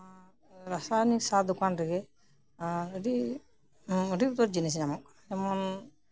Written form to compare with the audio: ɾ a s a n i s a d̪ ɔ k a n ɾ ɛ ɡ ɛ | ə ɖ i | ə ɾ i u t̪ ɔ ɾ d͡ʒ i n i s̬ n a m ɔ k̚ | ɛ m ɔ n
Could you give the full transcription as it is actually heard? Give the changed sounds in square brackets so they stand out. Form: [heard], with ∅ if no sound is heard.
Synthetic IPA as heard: ɾ a s a n i s a d̪ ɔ k a n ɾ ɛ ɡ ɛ | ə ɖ i | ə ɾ i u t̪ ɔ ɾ d͡ʒ i n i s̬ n a m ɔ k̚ | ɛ m ɔ n